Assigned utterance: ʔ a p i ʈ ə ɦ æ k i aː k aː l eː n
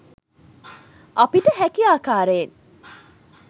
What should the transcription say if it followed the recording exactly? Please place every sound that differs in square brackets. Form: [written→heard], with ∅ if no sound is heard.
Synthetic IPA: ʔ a p i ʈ ə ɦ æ k i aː k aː [l→ɾ] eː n